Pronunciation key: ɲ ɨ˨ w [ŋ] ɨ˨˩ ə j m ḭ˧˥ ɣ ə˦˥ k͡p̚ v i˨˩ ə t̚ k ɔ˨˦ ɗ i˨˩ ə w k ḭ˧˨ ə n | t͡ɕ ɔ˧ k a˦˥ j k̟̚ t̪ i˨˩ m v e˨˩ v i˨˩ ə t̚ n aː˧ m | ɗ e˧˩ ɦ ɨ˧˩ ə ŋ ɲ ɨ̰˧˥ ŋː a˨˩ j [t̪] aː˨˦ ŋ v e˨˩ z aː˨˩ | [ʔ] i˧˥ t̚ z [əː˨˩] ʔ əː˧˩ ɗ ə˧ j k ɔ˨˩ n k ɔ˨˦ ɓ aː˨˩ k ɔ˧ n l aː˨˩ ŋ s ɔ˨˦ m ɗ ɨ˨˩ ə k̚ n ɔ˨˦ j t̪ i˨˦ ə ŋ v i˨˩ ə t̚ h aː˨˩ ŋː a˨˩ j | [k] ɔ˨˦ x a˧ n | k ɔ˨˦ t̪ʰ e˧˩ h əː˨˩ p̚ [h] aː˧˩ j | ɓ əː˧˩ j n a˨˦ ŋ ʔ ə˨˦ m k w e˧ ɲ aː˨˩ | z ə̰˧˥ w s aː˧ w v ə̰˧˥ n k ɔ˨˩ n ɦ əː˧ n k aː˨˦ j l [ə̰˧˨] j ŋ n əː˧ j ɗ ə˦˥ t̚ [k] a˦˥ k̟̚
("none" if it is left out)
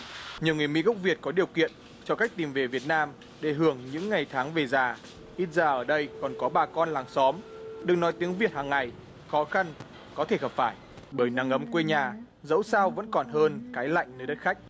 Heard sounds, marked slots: ŋ, t̪ʰ, ʔ, aː˨˩, x, f, a̰˧˨, x

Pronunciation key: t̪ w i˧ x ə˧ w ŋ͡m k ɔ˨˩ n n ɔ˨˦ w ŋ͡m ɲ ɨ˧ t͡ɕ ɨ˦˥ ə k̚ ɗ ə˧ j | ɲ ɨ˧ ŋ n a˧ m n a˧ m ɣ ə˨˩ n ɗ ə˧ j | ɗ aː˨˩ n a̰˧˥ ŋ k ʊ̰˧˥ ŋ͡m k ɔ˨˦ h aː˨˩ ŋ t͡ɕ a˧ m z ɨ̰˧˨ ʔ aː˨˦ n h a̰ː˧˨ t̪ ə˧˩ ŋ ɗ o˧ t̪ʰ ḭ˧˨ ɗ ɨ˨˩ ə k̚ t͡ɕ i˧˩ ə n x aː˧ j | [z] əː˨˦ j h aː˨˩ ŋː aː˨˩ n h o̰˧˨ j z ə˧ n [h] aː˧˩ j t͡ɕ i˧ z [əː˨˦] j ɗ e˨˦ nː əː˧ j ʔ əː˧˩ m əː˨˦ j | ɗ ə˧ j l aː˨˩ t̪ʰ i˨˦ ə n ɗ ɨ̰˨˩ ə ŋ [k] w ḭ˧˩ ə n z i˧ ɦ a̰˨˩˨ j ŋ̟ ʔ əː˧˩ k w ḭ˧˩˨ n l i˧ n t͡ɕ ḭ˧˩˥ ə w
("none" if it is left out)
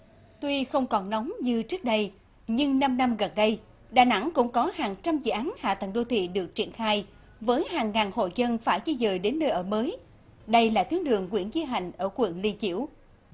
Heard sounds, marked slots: v, f, əː˨˩, k

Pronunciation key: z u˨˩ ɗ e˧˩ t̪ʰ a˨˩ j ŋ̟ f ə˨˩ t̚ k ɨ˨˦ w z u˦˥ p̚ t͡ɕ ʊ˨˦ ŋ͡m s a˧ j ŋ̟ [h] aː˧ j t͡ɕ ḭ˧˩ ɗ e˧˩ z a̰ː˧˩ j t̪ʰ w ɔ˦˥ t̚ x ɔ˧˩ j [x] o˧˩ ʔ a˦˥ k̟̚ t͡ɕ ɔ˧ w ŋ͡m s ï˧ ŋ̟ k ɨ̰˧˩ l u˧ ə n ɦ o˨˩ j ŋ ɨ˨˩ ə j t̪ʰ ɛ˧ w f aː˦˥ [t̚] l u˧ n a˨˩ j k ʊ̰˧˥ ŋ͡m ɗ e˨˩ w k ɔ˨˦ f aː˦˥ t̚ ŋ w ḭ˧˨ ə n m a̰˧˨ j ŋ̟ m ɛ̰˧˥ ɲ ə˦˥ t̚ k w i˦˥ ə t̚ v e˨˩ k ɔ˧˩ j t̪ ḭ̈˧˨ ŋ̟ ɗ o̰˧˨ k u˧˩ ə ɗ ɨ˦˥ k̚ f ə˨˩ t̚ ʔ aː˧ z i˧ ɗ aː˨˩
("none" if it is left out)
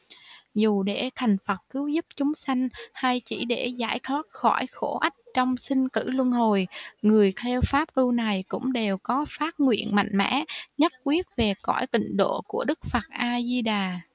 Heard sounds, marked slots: h, x, p̚

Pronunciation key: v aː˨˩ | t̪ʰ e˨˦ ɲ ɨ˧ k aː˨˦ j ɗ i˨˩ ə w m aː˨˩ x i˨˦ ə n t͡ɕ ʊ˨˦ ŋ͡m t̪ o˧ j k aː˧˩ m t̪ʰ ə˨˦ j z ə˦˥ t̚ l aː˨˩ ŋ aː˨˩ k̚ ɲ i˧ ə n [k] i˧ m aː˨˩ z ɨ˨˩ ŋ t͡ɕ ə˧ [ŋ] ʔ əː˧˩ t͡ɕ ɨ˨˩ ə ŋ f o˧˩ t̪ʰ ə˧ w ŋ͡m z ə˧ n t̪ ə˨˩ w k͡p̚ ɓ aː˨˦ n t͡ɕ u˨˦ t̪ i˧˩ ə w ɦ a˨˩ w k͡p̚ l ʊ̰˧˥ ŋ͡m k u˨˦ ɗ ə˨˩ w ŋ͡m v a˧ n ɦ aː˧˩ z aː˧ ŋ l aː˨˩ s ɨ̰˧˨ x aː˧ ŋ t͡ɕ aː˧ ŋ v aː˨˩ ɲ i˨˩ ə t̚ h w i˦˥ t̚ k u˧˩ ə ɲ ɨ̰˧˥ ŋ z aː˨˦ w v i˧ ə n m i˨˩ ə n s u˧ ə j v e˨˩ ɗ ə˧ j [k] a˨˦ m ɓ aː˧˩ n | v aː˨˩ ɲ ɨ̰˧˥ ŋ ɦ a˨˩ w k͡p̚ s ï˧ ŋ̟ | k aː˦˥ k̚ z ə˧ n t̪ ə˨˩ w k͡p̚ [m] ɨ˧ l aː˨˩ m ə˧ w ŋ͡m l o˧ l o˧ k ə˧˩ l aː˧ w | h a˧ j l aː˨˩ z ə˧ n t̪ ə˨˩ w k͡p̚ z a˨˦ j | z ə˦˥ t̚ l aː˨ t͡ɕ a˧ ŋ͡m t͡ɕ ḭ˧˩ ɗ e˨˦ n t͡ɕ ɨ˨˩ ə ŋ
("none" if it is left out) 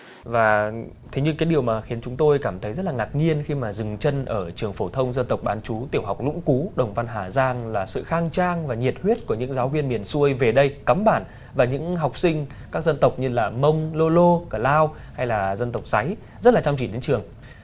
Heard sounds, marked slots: x, n, k, ɲ

